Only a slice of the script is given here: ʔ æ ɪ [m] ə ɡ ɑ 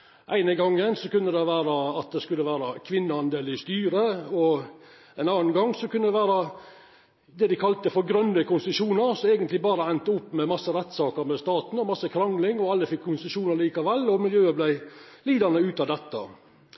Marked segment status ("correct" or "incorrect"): incorrect